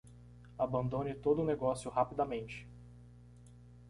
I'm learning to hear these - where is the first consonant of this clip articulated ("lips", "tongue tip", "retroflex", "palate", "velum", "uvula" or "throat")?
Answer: lips